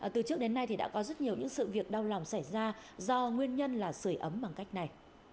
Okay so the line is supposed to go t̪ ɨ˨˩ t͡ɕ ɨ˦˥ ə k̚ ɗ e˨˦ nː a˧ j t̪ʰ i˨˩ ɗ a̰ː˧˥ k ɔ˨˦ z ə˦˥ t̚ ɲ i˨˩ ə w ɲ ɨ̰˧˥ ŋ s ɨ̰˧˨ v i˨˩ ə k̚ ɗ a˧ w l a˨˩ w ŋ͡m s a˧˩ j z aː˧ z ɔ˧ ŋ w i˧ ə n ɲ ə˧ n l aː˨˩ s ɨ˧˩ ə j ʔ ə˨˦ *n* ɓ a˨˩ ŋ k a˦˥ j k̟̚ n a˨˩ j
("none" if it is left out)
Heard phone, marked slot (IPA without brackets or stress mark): m